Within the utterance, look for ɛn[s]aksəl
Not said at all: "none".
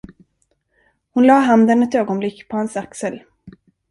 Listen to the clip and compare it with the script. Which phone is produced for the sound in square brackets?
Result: s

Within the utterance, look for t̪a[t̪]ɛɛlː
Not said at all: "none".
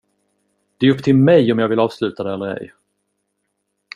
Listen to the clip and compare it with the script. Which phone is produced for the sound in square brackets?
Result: d̪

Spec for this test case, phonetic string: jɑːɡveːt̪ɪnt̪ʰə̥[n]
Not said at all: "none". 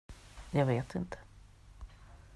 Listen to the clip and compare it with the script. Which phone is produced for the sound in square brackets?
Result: none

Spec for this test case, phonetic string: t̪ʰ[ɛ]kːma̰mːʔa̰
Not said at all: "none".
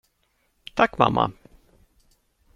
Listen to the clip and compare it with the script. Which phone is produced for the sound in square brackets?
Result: a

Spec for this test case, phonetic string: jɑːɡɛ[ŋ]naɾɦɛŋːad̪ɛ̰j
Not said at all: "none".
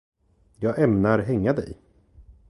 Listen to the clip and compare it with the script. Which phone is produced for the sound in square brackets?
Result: m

